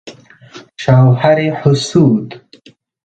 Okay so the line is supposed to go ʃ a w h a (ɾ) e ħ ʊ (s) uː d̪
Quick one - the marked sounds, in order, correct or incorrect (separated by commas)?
correct, correct